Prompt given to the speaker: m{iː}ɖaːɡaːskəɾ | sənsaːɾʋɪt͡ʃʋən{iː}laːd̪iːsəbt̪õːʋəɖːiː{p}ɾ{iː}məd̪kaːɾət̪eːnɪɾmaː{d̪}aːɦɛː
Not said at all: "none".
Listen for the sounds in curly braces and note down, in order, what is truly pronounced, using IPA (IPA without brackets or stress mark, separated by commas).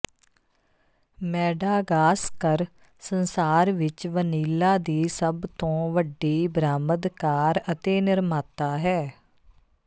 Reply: ɛː, iː, b, aː, t̪